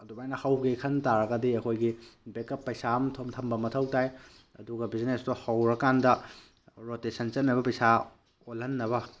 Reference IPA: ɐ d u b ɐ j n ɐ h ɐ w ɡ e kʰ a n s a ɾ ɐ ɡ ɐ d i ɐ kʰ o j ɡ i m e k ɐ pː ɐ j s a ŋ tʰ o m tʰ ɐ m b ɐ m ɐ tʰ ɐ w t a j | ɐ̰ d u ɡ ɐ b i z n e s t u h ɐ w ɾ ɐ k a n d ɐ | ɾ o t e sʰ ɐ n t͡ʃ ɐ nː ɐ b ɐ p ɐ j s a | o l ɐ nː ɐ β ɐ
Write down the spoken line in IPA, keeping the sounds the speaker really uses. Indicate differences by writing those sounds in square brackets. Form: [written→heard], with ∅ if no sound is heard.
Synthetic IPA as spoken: ɐ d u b [ɐ→a] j n ɐ h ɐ w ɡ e kʰ [a→ɐ] n [s→t] a ɾ ɐ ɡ ɐ d i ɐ kʰ o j ɡ i [m→b] e k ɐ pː ɐ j s a [ŋ→m] tʰ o m tʰ ɐ m b ɐ m ɐ tʰ ɐ w t a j | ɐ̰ d u ɡ ɐ b i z n e s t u h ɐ w ɾ ɐ k a n d ɐ | ɾ o t e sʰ ɐ n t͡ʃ ɐ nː ɐ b ɐ p ɐ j s a | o l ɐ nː ɐ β ɐ